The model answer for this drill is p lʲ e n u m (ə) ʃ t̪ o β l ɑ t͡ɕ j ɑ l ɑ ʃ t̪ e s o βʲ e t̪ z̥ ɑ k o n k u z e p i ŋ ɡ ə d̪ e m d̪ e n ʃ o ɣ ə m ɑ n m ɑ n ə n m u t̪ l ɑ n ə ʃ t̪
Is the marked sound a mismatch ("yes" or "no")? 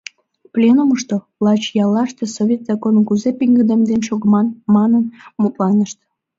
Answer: no